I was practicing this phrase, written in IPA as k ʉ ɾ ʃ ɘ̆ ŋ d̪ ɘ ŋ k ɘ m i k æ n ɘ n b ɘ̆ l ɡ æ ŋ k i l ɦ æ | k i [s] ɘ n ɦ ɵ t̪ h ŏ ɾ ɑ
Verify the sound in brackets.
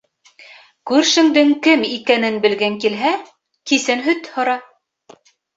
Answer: correct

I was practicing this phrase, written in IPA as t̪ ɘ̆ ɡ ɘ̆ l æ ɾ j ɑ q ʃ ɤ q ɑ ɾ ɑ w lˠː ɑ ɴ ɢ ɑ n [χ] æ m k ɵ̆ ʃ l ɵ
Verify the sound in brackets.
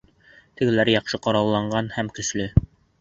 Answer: incorrect: h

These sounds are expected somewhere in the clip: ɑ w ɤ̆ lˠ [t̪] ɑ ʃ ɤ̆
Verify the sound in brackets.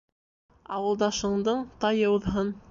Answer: incorrect: d̪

